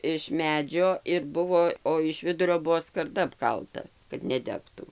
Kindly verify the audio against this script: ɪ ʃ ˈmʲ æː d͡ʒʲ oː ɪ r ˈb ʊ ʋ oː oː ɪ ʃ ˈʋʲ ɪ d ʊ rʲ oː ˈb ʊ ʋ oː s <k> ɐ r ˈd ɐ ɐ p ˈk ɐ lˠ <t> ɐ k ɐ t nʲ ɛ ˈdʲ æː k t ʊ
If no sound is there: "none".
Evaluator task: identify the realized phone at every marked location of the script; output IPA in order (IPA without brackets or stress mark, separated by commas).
k, t